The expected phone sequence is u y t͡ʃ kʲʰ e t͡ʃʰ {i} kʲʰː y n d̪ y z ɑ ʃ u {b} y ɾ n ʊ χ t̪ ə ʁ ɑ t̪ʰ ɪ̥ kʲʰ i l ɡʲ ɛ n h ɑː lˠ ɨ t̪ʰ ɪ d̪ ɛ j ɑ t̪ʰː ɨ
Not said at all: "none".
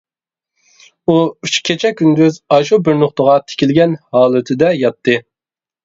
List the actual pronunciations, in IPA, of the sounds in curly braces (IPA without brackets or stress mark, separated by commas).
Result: ɛ, b